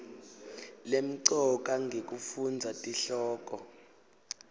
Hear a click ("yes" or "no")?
yes